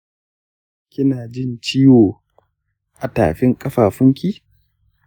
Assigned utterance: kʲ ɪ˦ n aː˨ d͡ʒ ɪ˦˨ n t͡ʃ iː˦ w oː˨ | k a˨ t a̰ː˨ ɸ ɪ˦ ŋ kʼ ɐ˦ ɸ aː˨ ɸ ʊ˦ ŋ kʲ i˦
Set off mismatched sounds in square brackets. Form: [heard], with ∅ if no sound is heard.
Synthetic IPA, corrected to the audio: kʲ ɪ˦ n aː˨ d͡ʒ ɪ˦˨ n t͡ʃ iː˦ w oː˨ | [ʔ] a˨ t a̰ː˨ ɸ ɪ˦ ŋ kʼ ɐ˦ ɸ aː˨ ɸ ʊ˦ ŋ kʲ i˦

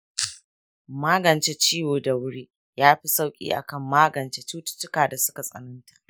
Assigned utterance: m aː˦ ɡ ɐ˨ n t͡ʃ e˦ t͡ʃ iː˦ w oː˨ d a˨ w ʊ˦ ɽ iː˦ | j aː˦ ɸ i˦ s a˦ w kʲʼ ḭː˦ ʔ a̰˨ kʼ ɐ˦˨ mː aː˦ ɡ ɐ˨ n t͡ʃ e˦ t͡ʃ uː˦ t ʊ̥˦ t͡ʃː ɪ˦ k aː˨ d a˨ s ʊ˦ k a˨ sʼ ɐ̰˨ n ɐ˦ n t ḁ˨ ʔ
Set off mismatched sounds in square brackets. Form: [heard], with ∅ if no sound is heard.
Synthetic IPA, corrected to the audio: m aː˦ ɡ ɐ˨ n t͡ʃ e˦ t͡ʃ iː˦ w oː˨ d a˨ w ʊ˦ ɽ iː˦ | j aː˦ ɸ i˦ s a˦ w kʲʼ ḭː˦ ʔ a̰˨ [k] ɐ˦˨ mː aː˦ ɡ ɐ˨ n t͡ʃ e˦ t͡ʃ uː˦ t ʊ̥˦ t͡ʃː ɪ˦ k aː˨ d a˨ s ʊ˦ k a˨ sʼ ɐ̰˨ n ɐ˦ n t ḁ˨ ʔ

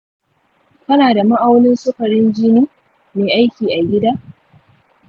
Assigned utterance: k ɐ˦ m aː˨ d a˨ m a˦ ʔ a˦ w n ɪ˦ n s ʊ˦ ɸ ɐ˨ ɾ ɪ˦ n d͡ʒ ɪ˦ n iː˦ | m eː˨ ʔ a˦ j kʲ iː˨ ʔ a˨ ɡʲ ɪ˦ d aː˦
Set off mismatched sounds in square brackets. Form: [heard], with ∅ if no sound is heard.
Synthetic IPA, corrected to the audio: k ɐ˦ [n] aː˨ d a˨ m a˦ ʔ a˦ w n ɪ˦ n s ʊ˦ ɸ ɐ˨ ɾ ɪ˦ n d͡ʒ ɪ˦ n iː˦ | m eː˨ ʔ a˦ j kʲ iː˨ ʔ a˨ ɡʲ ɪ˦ d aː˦

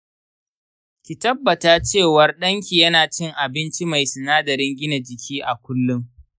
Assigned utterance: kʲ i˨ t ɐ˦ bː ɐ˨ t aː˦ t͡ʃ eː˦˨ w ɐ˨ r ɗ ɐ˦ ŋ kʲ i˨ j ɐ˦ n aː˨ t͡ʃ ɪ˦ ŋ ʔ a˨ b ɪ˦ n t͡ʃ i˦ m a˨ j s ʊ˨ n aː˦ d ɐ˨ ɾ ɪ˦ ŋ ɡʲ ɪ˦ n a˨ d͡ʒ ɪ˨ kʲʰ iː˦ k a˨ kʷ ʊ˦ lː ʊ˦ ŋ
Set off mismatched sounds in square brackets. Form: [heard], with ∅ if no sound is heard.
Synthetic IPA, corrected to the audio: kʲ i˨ t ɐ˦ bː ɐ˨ t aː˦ t͡ʃ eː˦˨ w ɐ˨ r ɗ ɐ˦ ŋ kʲ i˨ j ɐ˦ n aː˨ t͡ʃ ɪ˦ ŋ ʔ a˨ b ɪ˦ n t͡ʃ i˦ m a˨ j s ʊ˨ n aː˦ d ɐ˨ ɾ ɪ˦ ŋ ɡʲ ɪ˦ n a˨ d͡ʒ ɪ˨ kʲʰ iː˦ [ʔ] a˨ kʷ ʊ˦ lː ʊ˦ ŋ

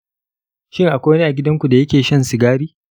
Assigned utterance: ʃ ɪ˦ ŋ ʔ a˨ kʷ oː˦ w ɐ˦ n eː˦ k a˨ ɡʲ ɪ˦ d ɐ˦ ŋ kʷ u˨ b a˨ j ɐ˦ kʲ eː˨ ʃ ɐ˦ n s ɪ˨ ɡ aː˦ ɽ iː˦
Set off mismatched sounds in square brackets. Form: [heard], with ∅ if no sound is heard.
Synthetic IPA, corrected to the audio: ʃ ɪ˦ ŋ ʔ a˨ kʷ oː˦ w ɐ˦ n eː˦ [ʔ] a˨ ɡʲ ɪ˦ d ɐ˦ ŋ kʷ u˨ [d] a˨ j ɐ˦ kʲ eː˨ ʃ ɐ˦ n s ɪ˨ ɡ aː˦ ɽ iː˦

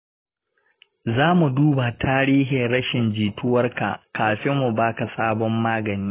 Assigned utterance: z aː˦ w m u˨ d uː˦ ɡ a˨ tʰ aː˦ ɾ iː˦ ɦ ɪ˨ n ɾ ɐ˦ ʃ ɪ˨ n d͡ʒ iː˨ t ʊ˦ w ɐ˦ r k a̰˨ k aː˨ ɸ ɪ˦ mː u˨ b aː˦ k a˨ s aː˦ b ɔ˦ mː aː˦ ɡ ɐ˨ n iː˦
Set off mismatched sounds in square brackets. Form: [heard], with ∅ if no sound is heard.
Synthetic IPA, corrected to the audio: z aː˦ [∅] m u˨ d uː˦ [b] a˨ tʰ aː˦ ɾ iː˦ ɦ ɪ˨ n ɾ ɐ˦ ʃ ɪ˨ n d͡ʒ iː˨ t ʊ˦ w ɐ˦ r k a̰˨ k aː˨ ɸ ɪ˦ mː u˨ b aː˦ k a˨ s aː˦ b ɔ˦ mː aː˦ ɡ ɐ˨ n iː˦

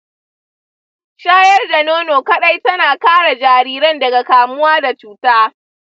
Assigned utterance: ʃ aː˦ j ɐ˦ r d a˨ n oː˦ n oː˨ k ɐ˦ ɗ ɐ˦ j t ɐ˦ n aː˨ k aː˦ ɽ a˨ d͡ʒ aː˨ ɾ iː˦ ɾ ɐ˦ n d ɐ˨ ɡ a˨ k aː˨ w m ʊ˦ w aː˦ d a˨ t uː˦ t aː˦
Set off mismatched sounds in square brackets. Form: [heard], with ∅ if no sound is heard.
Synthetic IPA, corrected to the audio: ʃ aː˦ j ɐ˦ r d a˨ n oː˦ n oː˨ k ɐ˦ ɗ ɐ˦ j t ɐ˦ n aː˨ k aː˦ ɽ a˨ d͡ʒ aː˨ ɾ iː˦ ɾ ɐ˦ n d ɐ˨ ɡ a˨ k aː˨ [∅] m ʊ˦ w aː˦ d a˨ [t͡ʃ] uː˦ t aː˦

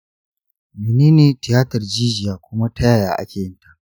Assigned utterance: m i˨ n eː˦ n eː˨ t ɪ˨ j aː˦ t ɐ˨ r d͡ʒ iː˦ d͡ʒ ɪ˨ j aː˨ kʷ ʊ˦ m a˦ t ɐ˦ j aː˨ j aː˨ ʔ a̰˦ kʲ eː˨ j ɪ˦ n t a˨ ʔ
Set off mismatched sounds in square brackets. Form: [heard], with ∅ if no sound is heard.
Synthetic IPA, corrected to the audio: m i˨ n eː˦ n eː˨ t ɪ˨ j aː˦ t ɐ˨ r d͡ʒ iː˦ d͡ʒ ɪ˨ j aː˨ kʷ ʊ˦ m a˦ t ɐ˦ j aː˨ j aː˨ ʔ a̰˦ kʲ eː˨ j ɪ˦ n t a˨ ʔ

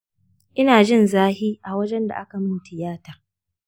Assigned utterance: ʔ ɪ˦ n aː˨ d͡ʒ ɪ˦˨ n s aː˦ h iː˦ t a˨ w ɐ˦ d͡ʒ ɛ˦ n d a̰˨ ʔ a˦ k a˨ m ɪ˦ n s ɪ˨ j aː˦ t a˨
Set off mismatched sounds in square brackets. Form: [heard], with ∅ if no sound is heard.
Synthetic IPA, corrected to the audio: ʔ ɪ˦ n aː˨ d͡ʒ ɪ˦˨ n [z] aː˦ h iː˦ [ʔ] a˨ w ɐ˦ d͡ʒ ɛ˦ n d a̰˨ ʔ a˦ k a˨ m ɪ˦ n [t] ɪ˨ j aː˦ t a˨

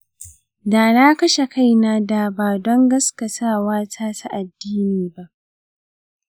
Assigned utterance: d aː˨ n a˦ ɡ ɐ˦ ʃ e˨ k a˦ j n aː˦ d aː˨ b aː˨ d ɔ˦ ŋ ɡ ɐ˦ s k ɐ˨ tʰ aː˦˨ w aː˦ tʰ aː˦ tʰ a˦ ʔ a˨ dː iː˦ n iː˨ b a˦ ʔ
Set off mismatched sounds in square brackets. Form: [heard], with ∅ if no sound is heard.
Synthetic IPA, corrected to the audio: d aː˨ n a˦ [k] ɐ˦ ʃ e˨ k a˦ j n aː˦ d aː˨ b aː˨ d ɔ˦ ŋ ɡ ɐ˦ s k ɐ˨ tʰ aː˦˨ w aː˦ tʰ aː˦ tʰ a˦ ʔ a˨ dː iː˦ n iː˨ b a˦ ʔ

